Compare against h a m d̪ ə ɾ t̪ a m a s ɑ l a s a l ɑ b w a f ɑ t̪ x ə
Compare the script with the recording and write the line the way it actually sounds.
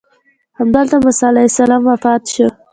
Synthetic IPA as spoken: h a m d̪ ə l t̪ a m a s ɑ l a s a l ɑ m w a f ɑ t̪ ʃ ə